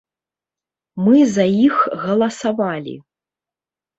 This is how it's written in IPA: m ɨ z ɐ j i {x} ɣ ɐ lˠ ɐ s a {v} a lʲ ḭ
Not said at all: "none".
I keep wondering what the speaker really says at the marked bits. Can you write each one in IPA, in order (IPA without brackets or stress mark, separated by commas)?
x, v